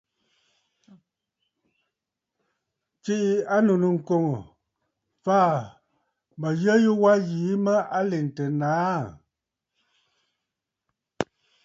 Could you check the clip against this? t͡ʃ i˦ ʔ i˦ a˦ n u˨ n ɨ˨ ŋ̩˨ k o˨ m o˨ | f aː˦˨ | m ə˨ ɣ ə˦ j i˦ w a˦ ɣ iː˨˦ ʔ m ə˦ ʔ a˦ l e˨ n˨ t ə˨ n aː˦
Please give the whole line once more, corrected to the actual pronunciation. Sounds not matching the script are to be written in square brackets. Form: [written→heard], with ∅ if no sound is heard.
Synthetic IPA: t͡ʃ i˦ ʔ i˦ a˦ n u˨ n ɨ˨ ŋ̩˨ k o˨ [m→ŋ] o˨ | f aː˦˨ | m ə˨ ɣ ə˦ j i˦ w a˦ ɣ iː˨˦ [ʔ→∅] m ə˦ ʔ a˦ l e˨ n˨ t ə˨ n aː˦